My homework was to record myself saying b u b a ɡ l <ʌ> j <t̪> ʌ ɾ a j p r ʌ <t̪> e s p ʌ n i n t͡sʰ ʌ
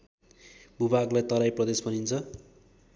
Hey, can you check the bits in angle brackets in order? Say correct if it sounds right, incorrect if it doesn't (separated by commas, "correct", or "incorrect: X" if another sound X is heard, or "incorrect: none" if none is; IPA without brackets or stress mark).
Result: incorrect: a, correct, incorrect: d̪